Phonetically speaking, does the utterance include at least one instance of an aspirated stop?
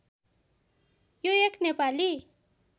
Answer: no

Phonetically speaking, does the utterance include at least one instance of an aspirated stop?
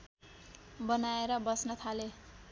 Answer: yes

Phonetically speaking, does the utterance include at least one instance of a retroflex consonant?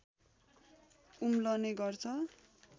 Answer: no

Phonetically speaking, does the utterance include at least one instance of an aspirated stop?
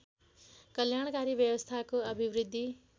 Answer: yes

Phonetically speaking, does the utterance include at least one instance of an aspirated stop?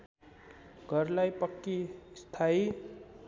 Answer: yes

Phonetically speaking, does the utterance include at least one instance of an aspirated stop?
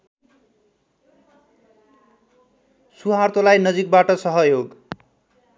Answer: no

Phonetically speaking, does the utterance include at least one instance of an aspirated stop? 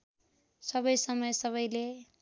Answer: no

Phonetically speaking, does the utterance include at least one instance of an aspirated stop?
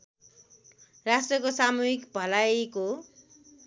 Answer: no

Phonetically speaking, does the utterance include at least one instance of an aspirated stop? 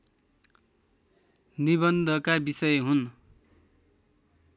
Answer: no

